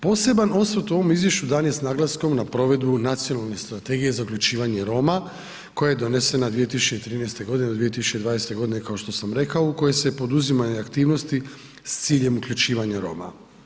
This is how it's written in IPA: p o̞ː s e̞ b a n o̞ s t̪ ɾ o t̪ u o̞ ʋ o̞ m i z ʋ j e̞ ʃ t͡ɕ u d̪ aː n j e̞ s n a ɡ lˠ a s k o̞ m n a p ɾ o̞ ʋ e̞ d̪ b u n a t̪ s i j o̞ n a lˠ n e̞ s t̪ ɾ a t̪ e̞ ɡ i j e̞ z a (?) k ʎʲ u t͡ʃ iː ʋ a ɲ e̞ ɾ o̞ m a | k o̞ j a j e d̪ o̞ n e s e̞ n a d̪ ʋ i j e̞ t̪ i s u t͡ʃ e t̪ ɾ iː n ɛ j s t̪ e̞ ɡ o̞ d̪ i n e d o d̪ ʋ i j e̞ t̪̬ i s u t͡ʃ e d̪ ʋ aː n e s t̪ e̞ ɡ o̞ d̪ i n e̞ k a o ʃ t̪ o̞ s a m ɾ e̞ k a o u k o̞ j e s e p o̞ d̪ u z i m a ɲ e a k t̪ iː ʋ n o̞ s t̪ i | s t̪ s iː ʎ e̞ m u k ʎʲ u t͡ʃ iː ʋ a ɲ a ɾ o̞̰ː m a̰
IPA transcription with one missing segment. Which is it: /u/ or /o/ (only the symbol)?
u